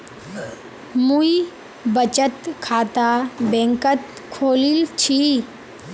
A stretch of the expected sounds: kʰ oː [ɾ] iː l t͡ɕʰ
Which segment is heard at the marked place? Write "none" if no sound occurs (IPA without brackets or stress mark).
l